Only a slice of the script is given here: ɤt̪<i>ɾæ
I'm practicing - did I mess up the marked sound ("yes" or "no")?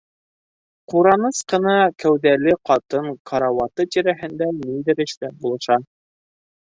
no